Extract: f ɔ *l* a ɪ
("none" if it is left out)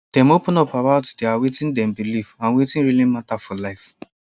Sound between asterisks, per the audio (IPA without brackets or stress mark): l